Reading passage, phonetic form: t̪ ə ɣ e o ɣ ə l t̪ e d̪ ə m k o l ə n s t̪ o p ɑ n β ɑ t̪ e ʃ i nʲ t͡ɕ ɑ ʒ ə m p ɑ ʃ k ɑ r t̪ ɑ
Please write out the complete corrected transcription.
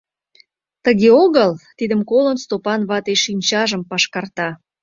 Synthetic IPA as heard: t̪ ə ɣ e o ɣ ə l t̪ i d̪ ə m k o l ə n s t̪ o p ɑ n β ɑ t̪ e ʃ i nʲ t͡ɕ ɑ ʒ ə m p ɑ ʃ k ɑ r t̪ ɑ